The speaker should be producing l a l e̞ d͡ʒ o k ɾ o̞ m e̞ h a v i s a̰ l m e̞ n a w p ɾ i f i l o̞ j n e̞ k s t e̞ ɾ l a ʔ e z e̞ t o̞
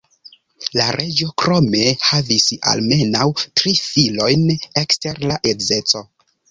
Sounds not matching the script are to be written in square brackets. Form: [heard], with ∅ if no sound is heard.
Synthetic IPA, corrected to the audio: l a [ɾ] e̞ d͡ʒ o k ɾ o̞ m e̞ h a v i s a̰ l m e̞ n a w [t] ɾ i f i l o̞ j n e̞ k s t e̞ ɾ l a ʔ e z e̞ [t͡s] o̞